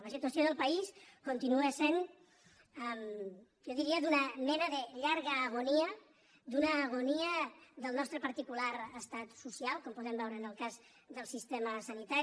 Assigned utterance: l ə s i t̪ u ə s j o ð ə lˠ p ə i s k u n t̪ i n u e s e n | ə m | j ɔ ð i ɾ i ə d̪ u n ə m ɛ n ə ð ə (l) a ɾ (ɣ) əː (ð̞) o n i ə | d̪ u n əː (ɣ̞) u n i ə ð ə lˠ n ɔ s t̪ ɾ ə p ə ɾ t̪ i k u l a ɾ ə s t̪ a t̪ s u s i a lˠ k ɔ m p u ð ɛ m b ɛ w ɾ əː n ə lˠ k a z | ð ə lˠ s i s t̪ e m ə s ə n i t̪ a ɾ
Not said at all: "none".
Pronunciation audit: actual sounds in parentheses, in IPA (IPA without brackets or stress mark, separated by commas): ʎ, ɣ, ɣ̞, ɣ̞